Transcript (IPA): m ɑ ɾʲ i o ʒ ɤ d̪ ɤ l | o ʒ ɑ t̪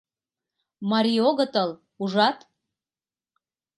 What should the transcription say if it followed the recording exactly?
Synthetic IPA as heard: m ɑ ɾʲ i o ɣ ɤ t̪ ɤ l | u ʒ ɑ t̪

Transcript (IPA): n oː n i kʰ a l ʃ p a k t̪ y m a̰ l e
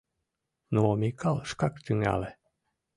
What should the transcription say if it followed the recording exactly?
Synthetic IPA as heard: n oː m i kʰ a l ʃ k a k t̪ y ŋ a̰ l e

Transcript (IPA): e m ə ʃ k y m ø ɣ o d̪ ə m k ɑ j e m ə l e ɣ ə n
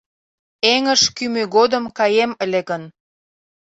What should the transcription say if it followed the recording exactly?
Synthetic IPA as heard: e ŋ ə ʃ k y m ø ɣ o d̪ ə m k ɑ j e m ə l e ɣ ə n

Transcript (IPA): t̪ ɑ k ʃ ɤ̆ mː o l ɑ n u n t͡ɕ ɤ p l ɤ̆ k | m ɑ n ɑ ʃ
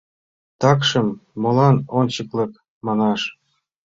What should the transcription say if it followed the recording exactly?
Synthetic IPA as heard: t̪ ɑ k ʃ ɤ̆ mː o l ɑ n o n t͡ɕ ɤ k l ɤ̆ k | m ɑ n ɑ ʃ

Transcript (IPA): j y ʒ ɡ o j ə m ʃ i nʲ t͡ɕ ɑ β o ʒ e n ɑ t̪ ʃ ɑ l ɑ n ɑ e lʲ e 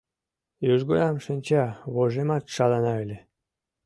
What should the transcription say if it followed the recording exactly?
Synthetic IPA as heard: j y ʒ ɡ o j ɑ m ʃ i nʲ t͡ɕ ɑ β o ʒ e m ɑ t̪ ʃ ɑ l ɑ n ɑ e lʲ e

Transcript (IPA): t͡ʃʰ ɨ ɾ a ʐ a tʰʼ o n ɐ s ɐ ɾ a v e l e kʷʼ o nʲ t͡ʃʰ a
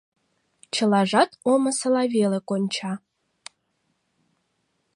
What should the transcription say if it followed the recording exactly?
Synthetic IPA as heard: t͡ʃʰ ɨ l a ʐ a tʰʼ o m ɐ s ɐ l a v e l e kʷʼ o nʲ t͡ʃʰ a

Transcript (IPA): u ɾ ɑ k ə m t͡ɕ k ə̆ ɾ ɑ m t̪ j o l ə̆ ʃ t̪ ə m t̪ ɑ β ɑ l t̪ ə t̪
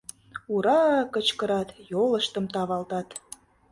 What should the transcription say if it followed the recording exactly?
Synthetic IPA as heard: u ɾ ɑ k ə t͡ɕ k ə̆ ɾ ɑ t̪ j o l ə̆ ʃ t̪ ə m t̪ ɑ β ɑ l t̪ ɑ t̪

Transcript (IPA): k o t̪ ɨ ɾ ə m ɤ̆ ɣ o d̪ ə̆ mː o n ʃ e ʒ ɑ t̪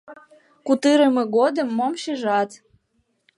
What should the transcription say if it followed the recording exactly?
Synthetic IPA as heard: k u t̪ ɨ ɾ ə m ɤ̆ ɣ o d̪ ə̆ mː o m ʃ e ʒ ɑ t̪

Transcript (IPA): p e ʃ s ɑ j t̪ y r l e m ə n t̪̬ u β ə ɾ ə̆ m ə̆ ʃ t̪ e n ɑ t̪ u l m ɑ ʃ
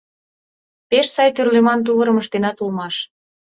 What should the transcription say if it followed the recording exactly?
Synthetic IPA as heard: p e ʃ s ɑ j t̪ y r l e m ɑ n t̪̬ u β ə ɾ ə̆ m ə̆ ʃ t̪ e n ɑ t̪ u l m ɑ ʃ

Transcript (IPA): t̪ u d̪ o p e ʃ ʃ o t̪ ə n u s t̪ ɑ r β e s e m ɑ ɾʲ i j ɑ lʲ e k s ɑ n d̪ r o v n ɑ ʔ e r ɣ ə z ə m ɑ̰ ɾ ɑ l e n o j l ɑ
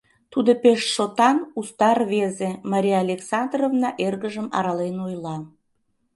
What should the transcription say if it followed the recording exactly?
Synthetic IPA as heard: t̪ u d̪ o p e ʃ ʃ o t̪ ɑ n u s t̪ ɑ r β e z e m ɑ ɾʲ i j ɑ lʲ e k s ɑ n d̪ r o v n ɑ ʔ e r ɣ ə ʒ ə m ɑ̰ ɾ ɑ l e n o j l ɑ

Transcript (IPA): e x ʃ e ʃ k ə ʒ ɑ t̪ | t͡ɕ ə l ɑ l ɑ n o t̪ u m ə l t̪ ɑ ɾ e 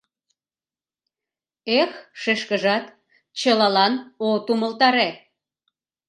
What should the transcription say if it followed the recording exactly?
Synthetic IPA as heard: e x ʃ e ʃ k ə ʒ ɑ t̪ | t͡ɕ ə l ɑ l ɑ n o t̪ u m ə l t̪ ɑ ɾ e

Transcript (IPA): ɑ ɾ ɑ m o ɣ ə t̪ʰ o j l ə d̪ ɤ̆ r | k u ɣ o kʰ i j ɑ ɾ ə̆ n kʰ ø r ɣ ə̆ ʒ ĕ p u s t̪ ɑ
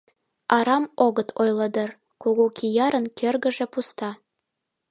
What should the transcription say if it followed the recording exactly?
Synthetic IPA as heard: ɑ ɾ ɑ m o ɣ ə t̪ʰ o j l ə d̪ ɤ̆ r | k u ɣ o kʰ i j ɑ ɾ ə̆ n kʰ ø r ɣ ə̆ ʒ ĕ p u s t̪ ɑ

